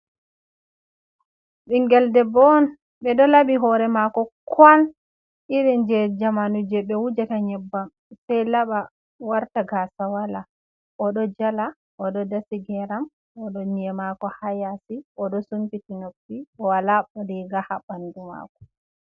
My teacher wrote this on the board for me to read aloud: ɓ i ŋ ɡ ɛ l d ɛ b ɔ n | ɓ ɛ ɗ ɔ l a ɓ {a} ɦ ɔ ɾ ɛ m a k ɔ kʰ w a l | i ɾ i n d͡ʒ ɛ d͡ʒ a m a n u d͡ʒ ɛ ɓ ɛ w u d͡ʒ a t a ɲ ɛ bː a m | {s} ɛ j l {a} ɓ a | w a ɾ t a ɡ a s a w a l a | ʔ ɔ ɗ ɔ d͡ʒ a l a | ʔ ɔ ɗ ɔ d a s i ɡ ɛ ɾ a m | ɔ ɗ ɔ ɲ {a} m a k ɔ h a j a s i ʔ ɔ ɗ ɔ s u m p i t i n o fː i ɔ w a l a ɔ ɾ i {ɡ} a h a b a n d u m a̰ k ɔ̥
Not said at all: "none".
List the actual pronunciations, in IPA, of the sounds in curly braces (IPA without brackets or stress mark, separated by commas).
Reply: i, s, a, ɛ, ɡ